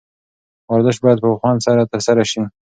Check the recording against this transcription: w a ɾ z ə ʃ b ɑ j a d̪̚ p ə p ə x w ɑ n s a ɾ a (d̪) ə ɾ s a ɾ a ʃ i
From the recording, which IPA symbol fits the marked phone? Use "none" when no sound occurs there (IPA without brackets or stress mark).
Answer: t̪